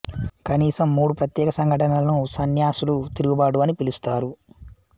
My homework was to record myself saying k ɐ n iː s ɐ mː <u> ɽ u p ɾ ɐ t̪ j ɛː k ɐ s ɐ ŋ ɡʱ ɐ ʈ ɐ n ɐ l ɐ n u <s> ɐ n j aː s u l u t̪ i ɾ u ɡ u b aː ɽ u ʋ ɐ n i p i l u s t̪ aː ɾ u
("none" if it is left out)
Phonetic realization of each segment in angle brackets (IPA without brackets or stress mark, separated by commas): uː, s